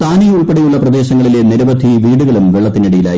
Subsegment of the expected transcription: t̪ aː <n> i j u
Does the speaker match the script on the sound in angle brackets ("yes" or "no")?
yes